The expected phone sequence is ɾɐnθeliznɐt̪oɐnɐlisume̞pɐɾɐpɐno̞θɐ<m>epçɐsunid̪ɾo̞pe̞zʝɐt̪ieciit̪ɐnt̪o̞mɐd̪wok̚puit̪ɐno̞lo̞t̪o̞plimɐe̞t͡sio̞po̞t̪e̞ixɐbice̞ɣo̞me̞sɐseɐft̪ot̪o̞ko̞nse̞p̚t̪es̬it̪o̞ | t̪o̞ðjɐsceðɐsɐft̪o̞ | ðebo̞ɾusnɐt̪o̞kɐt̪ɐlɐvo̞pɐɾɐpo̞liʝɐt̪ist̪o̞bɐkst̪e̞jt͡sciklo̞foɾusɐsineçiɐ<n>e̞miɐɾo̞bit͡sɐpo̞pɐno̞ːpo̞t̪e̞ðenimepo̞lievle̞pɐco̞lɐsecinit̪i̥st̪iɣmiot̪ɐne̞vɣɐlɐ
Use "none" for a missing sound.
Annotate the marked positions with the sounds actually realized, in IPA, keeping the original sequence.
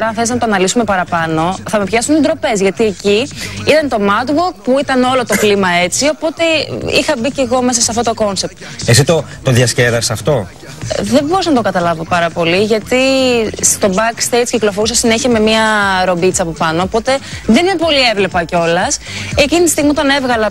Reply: m, m

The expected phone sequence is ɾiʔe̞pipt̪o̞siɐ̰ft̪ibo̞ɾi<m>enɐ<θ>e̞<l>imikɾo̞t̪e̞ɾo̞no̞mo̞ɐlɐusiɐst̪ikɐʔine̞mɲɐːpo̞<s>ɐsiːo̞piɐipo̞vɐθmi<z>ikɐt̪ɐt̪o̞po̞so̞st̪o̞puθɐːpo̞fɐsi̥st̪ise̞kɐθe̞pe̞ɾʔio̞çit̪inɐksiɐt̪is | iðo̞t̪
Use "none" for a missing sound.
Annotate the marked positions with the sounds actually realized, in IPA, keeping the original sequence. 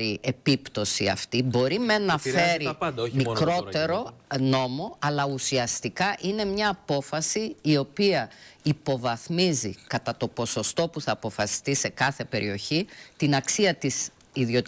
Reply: m, f, ɾ, f, z

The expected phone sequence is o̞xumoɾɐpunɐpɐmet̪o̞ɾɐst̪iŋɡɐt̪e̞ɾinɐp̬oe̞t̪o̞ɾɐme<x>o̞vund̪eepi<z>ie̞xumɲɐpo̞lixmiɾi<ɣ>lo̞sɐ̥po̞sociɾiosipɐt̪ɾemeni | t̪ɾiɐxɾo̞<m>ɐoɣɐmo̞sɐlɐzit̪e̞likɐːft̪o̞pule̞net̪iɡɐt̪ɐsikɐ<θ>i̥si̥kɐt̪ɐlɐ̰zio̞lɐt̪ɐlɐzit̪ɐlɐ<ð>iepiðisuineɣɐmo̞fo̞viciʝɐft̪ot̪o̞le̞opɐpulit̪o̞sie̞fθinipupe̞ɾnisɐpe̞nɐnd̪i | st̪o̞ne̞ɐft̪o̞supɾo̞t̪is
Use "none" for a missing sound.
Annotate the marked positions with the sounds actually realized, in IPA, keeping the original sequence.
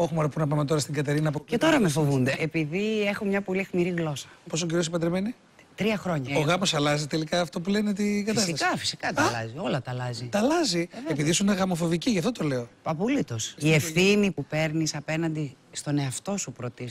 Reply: f, ð, ɣ, ɲ, f, z

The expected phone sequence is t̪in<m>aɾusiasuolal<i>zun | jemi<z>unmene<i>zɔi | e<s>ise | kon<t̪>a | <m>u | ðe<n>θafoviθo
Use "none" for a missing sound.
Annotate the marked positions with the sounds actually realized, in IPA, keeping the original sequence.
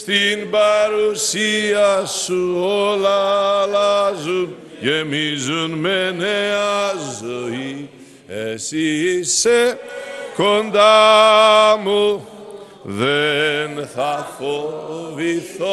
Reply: b, a, z, a, s, d̪, m, n

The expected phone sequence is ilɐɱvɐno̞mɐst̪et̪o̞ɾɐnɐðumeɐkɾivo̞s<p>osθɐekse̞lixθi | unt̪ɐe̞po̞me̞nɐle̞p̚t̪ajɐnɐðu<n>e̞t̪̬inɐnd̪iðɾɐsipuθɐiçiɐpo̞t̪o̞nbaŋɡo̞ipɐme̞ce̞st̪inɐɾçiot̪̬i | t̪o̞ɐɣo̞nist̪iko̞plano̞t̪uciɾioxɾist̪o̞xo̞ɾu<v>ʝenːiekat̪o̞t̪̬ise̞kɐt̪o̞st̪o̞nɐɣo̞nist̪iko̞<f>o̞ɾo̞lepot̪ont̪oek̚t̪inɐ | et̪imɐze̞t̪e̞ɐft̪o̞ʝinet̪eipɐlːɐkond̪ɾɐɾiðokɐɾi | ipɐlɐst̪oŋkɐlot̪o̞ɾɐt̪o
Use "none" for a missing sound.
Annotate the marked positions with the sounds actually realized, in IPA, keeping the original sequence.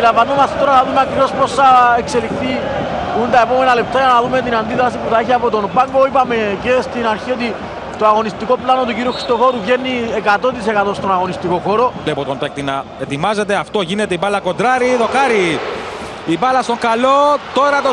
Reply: p, m, v, x

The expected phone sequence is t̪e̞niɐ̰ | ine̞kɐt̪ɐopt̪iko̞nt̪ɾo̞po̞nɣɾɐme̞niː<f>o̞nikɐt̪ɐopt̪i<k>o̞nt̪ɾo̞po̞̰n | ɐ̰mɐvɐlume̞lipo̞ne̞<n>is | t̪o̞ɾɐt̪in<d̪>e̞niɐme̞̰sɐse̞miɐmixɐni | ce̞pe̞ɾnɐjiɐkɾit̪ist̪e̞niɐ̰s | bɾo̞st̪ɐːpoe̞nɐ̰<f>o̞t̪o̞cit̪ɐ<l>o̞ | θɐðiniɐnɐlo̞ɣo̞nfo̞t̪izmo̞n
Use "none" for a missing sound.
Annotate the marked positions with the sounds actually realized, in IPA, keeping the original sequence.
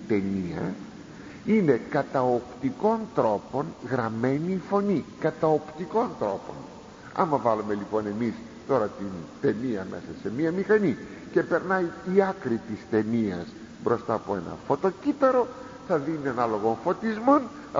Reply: f, k, m, t̪, f, ɾ

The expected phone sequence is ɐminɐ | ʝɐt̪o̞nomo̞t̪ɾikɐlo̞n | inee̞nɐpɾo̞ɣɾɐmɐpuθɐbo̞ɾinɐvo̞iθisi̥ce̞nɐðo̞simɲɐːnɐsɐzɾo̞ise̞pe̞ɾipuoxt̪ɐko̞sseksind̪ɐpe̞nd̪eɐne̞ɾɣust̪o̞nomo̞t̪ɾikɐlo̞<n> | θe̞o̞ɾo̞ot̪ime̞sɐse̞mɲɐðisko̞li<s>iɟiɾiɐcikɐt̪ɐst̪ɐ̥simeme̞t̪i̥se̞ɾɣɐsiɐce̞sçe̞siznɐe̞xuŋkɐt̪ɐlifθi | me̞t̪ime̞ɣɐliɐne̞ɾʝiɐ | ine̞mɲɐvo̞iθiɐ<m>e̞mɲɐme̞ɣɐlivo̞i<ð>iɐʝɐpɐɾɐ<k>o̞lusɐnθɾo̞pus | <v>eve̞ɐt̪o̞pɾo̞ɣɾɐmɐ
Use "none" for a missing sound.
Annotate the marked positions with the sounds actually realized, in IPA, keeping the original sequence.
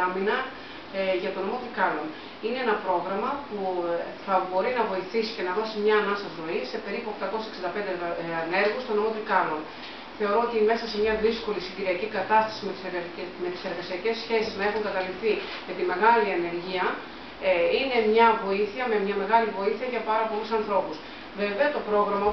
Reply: n, s, m, θ, p, v

